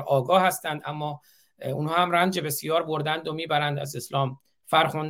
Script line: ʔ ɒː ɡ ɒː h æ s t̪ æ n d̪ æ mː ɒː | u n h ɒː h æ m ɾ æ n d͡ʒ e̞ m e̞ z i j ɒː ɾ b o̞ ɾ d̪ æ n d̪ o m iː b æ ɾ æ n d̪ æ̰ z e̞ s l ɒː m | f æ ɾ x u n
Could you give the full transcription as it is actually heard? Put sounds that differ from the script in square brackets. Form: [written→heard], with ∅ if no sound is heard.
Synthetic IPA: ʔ ɒː ɡ ɒː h æ s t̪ æ n d̪ æ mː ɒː | u n h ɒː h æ m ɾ æ n d͡ʒ e̞ [m→b] e̞ [z→s] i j ɒː ɾ b o̞ ɾ d̪ æ n d̪ o m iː b æ ɾ æ n d̪ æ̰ z e̞ s l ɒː m | f æ ɾ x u n